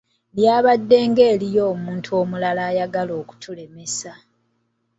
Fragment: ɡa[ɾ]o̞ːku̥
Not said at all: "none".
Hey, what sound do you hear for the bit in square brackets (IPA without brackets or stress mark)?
l